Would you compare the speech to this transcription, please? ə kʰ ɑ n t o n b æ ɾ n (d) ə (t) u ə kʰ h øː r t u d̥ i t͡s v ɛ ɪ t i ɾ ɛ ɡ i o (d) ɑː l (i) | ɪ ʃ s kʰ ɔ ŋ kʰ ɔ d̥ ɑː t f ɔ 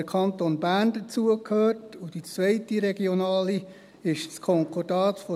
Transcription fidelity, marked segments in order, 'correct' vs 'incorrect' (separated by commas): correct, incorrect, incorrect, correct